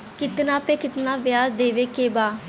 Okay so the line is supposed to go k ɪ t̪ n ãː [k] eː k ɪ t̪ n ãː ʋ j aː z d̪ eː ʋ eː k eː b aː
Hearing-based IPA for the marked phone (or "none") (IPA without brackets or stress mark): p